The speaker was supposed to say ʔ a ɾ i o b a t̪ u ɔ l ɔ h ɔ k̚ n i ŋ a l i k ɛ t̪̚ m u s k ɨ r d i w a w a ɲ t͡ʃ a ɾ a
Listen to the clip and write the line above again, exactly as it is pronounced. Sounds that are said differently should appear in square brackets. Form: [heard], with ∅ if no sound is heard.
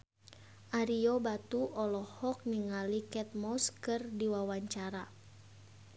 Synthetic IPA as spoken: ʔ a ɾ i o b a t̪ u ɔ l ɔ h ɔ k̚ n i ŋ a l i k ɛ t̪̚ m [ɔ] s k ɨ r d i w a w a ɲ t͡ʃ a ɾ a